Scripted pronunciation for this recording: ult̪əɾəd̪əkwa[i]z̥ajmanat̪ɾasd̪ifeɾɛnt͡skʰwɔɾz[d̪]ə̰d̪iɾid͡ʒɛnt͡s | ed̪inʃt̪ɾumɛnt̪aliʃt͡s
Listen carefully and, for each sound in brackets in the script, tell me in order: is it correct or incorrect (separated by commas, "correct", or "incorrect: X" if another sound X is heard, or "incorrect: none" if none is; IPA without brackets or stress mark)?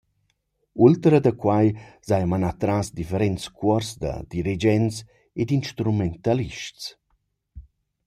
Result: incorrect: j, correct